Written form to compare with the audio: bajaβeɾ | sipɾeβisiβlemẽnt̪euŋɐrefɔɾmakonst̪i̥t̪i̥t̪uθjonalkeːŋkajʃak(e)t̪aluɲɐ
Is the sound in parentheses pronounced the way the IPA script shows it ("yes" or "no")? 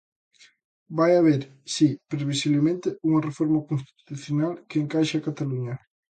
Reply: no